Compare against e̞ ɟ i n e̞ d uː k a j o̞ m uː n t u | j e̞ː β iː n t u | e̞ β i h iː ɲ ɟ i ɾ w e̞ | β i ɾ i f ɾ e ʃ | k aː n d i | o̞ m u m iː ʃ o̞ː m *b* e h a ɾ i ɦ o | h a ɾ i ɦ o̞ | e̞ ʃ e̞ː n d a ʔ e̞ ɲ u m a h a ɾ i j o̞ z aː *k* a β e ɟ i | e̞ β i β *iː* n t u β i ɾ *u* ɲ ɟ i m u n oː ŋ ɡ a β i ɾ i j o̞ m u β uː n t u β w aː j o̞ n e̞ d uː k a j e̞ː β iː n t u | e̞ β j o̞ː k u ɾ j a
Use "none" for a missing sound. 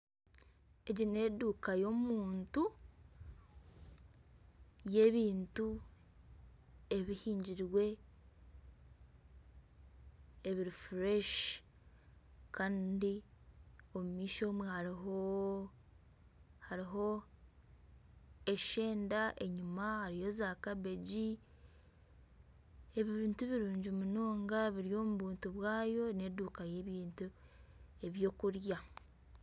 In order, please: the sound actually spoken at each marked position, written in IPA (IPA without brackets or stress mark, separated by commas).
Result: w, k, iː, uː